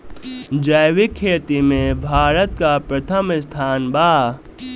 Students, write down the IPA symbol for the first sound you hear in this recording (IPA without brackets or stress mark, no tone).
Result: d͡ʒ